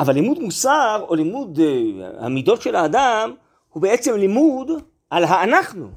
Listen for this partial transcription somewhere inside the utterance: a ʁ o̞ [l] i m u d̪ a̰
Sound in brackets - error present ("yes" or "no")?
no